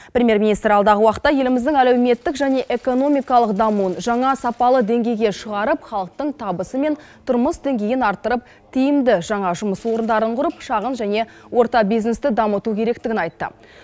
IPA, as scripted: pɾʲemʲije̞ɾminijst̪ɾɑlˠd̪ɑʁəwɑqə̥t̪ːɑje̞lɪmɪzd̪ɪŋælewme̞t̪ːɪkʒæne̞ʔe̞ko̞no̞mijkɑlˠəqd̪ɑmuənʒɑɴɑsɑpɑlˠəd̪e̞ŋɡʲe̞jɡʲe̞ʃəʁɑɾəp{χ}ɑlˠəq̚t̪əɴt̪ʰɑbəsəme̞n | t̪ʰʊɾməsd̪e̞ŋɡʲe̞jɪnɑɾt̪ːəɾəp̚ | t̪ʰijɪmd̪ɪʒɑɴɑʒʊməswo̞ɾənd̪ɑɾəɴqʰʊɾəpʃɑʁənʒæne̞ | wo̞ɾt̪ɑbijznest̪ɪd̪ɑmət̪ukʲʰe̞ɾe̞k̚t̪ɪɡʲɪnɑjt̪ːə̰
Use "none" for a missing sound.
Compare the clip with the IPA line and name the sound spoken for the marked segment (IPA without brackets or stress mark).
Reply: χ